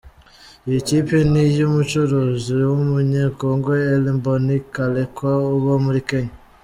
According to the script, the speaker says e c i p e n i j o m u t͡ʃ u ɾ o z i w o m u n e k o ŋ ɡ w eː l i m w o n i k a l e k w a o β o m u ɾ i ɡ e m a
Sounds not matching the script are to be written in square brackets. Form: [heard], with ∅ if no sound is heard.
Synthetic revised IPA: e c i p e n i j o m u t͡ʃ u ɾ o z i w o m u [ɲ] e k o ŋ ɡ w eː l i m [b] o n i k a l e k w a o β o m u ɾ i [k] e [ɲ] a